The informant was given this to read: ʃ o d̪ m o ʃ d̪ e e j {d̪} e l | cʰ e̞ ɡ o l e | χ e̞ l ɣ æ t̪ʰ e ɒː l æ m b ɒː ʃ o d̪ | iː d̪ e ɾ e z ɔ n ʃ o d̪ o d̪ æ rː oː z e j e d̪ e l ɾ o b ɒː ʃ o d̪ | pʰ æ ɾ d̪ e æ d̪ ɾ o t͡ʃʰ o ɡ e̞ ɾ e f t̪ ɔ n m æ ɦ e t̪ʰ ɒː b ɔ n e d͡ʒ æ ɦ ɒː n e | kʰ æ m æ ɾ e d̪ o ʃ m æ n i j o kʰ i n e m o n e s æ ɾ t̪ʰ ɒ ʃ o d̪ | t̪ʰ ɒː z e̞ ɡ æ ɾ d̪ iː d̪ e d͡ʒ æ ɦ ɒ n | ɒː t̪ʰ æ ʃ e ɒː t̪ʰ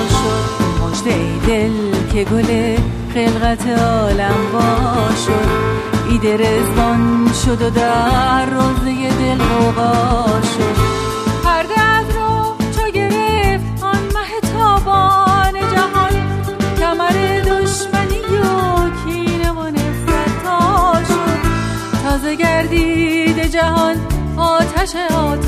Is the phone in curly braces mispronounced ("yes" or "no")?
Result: no